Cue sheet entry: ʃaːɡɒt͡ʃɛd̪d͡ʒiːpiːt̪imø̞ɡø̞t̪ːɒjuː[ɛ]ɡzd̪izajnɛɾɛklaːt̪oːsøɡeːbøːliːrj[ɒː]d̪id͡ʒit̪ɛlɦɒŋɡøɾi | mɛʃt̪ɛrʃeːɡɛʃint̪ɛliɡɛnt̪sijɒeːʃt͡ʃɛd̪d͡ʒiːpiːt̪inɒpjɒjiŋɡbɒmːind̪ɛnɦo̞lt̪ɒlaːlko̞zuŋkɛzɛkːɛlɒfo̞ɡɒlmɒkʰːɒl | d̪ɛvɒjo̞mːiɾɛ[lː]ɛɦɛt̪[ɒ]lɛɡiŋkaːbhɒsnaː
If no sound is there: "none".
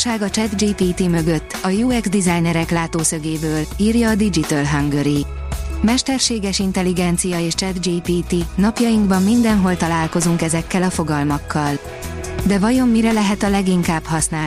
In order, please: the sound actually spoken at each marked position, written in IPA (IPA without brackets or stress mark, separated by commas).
ɛ, ɒː, l, ɒ